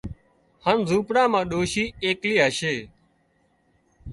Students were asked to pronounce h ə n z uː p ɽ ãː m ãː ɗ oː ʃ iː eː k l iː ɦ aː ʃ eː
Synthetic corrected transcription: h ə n z uː p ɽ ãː m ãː ɗ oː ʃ iː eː k l iː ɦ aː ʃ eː